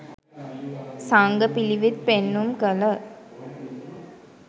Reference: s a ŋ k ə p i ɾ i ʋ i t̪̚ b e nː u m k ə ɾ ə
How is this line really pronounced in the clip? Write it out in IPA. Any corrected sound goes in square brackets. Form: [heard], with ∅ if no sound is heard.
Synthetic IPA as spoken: s a ŋ [ɡ] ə p i [l] i ʋ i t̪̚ [p] e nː u m k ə [l] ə